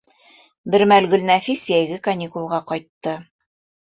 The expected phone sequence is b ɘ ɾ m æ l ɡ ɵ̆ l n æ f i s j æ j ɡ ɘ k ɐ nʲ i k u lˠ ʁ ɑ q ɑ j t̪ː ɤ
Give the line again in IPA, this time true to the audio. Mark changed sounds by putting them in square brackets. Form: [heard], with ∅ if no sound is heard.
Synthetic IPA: b ɘ ɾ m æ l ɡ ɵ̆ l n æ f i s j æ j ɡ ɘ k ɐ nʲ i k u lˠ ʁ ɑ q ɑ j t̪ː ɤ